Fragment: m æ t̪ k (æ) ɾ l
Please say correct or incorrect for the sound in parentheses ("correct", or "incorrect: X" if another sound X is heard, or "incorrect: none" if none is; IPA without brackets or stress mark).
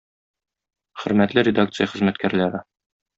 correct